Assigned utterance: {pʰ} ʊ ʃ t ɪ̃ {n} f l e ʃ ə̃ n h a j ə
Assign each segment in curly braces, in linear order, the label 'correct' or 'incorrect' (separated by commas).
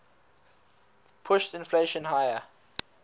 correct, correct